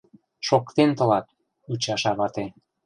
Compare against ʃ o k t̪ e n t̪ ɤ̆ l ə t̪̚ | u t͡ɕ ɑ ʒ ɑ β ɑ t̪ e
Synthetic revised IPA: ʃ o k t̪ e n t̪ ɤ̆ l ɑ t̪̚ | u t͡ɕ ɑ ʃ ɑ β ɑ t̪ e